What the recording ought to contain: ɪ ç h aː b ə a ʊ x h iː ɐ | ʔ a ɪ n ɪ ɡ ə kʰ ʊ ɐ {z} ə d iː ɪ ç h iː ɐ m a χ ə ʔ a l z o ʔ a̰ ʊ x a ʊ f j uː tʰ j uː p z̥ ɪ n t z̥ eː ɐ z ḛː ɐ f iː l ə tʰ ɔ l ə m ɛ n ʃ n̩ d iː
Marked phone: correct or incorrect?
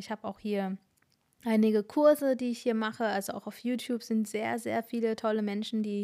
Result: correct